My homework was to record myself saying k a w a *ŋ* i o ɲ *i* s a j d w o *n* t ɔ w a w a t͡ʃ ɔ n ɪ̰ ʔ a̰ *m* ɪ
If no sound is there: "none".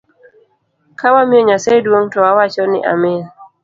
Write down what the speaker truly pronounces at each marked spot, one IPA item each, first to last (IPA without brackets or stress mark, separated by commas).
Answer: m, a, ŋ, m